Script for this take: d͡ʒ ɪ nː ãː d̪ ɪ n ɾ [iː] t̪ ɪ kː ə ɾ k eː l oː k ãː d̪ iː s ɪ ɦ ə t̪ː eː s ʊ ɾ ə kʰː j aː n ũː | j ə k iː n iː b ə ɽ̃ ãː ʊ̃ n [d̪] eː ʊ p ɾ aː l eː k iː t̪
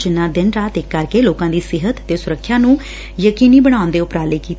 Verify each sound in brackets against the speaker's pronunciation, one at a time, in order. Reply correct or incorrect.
incorrect: aː, correct

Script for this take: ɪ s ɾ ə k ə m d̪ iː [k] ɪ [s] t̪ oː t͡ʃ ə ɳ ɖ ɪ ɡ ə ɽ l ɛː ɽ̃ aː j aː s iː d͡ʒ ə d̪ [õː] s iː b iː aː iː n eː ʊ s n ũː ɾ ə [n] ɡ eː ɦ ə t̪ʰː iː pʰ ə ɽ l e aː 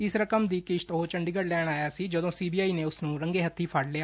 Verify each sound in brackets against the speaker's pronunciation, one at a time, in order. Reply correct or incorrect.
correct, incorrect: ʃ, correct, incorrect: ŋ

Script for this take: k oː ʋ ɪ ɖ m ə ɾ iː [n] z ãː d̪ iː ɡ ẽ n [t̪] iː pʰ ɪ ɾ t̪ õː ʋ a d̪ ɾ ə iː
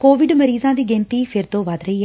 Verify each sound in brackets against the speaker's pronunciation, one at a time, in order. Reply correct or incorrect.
incorrect: none, correct

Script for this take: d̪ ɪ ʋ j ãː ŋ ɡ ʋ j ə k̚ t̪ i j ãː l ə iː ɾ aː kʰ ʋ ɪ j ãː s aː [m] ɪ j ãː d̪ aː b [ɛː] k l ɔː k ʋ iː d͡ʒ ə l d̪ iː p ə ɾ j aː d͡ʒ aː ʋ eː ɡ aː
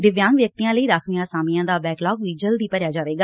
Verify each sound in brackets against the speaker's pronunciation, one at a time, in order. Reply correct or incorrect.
correct, correct

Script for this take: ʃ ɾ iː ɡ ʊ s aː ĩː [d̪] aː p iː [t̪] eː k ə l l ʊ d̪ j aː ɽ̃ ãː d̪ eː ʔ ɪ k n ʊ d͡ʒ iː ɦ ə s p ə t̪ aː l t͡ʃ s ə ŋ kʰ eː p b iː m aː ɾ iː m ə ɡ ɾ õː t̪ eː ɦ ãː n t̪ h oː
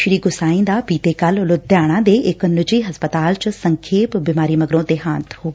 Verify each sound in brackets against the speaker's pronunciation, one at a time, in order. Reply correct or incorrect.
correct, correct

